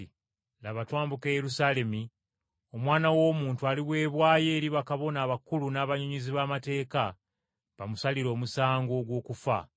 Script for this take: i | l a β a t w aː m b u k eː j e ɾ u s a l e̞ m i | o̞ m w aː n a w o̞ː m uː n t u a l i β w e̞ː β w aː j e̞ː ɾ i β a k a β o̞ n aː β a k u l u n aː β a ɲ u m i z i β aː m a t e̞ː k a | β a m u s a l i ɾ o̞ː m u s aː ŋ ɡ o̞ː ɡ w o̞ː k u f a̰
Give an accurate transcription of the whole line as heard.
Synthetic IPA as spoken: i | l a β a t w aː m b u k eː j e ɾ u s a l e̞ m i | o̞ m w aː n a w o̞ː m uː n t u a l i β w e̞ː β w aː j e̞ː ɾ i β a k a β o̞ n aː β a k u l u n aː β a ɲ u ɲ i z i β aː m a t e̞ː k a | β a m u s a l i ɾ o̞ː m u s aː ŋ ɡ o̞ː ɡ w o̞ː k u f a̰